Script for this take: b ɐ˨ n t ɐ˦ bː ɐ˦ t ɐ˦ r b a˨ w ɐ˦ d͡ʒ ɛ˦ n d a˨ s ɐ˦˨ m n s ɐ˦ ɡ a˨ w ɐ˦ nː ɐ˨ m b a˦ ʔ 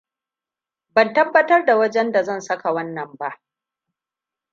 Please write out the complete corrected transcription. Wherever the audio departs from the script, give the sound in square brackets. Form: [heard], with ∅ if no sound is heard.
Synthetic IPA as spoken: b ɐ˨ n t ɐ˦ bː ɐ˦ t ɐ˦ r [d] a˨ w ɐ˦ d͡ʒ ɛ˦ n d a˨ [z] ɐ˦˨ [∅] n s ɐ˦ [k] a˨ w ɐ˦ nː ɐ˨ m b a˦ ʔ